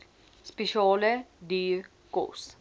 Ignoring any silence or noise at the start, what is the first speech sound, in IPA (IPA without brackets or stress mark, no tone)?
s